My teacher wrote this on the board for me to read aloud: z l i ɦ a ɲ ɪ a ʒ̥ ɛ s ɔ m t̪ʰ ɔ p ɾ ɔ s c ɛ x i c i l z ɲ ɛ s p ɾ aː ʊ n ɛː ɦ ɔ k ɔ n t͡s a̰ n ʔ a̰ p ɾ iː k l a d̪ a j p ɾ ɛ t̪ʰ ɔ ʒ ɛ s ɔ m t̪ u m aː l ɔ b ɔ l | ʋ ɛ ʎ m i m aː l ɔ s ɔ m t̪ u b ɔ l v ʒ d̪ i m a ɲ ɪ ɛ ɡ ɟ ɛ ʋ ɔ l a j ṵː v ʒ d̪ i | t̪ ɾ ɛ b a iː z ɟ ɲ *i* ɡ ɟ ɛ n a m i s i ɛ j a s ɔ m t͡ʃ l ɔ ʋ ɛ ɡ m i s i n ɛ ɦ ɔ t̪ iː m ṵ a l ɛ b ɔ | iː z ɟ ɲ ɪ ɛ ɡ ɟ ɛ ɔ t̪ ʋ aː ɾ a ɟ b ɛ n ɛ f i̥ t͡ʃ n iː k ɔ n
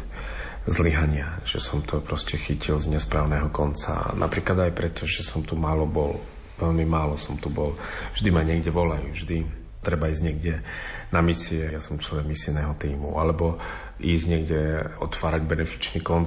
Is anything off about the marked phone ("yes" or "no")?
yes